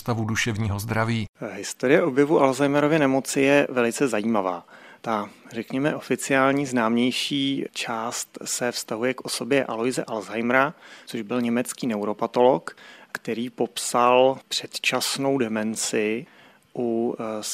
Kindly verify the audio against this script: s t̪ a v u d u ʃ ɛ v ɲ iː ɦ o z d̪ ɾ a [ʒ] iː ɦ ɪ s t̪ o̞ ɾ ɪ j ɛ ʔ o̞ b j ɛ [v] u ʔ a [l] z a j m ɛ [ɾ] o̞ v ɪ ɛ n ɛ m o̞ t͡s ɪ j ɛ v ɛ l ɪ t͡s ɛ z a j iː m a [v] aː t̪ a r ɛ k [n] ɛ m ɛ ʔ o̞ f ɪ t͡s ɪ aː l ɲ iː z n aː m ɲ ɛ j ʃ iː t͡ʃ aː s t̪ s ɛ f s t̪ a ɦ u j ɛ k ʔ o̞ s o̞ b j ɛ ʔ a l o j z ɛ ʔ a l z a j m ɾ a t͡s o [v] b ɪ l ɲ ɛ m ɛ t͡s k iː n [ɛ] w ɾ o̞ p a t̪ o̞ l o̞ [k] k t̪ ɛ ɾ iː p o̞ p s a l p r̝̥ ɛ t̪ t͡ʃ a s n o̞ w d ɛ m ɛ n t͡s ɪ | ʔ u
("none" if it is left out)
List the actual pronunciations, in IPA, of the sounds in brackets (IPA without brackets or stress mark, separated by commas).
v, v, l, ɾ, v, ɲ, ʒ, ɛ, k